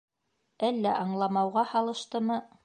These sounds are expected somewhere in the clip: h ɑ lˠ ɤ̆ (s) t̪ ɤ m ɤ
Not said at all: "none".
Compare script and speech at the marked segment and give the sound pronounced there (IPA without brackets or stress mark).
ʃ